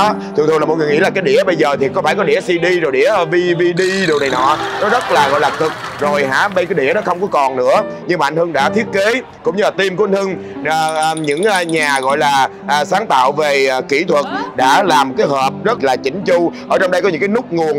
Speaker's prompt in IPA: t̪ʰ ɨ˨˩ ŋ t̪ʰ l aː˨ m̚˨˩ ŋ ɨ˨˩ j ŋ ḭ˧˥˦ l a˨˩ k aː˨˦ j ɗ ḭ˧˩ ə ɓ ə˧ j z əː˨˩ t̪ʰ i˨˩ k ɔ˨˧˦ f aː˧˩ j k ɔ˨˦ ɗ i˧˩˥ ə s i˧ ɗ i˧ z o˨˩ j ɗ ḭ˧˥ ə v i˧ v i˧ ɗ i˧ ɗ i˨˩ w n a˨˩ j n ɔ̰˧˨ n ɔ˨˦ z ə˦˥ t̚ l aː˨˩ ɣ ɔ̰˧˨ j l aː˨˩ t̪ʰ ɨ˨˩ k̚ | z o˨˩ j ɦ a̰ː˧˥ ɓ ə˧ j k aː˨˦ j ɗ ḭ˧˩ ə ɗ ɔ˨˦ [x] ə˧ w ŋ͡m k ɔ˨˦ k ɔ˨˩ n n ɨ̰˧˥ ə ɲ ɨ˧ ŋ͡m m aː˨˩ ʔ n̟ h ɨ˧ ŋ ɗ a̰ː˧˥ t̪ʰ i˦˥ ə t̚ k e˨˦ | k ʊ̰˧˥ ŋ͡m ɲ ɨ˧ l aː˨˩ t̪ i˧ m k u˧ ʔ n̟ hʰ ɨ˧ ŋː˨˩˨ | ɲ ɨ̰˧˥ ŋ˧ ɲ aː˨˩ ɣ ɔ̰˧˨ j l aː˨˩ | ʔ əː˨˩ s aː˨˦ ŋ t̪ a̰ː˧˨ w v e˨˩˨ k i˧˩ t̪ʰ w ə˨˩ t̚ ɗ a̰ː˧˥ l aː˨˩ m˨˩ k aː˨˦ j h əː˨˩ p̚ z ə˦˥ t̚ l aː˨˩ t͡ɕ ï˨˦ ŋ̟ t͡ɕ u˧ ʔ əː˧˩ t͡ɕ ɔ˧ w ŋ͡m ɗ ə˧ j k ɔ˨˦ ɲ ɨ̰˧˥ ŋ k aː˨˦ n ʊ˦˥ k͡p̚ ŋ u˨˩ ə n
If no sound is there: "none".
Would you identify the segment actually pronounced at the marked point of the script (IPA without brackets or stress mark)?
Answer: x